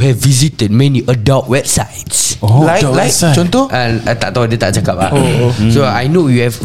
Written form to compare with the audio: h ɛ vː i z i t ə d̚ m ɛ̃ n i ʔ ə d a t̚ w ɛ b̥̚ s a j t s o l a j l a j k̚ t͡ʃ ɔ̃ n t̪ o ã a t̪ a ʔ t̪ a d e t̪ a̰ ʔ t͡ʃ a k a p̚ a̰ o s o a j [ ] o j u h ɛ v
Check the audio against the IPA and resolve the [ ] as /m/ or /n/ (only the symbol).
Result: n